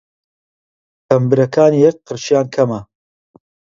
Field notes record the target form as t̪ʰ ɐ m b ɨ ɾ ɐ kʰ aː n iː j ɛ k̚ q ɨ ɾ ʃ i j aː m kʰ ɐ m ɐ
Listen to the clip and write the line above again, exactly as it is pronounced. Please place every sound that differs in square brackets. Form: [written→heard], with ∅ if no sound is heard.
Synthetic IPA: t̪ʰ ɐ m b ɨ ɾ ɐ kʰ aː n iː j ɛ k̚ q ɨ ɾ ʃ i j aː [m→n] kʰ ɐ m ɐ